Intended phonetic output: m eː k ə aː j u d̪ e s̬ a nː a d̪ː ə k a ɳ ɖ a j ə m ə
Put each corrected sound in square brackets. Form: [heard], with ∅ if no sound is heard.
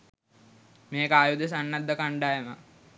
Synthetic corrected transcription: m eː k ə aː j u d̪ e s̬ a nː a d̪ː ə k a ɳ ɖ a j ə m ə